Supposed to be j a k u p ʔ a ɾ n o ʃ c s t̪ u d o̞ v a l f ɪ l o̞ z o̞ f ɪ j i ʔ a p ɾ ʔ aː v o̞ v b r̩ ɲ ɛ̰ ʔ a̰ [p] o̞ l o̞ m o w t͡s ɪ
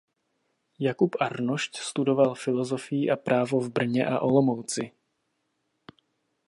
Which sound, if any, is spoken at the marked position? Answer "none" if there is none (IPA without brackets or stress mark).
ʔ